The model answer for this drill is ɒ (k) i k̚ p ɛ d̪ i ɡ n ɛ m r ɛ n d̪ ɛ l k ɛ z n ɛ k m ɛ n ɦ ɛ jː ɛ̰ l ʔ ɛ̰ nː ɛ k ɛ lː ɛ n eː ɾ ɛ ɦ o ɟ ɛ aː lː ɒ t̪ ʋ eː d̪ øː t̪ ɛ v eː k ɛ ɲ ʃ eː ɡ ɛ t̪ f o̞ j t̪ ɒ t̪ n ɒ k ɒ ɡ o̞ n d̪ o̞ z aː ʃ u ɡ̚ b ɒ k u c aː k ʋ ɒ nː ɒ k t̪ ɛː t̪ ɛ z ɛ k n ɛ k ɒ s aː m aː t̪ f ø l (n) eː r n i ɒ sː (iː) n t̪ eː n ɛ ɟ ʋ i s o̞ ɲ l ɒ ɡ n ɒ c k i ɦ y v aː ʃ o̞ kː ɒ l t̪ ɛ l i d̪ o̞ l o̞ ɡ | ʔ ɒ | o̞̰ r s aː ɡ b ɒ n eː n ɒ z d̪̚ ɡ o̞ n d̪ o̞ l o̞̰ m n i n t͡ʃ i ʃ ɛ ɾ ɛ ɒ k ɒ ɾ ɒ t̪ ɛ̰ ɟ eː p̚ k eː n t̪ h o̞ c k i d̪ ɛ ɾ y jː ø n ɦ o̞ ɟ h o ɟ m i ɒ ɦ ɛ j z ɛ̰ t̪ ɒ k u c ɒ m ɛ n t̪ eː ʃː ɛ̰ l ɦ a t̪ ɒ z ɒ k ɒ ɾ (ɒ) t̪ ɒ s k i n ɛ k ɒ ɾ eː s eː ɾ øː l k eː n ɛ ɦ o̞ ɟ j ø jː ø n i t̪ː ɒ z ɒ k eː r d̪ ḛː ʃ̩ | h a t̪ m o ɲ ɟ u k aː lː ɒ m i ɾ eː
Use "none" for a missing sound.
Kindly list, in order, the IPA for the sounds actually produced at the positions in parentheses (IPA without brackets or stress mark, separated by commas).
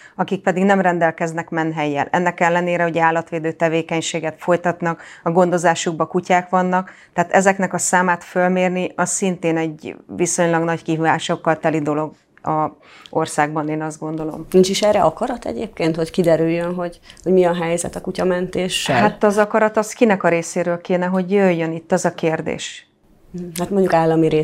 k, m, i, ɒ